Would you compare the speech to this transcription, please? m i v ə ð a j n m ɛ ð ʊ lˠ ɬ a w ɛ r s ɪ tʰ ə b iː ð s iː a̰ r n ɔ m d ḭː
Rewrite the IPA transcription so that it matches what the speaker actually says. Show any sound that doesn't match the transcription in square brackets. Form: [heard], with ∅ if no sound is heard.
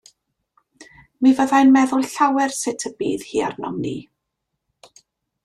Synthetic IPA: m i v ə ð a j n m ɛ ð ʊ lˠ ɬ a w ɛ r s ɪ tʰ ə b iː ð [h] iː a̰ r n ɔ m [n] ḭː

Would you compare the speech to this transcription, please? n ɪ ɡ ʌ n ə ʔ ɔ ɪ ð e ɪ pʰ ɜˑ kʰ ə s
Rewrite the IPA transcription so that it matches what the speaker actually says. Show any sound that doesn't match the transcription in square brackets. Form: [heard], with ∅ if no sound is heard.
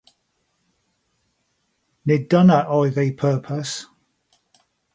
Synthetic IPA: n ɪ [d] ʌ n ə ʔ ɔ ɪ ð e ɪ pʰ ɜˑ [pʰ] ə s

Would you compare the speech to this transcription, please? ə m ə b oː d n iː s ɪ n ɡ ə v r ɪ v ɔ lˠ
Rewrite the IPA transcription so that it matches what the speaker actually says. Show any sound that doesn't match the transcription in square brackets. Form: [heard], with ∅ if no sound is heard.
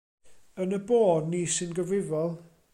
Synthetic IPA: ə [n] ə b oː d n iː s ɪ n ɡ ə v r ɪ v ɔ lˠ

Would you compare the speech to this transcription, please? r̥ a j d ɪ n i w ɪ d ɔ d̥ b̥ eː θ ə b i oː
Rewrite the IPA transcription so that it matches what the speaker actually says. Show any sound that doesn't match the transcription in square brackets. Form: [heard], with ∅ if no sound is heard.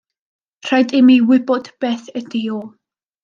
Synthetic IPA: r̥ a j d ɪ [m] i w ɪ [b] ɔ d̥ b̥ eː θ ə [d] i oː

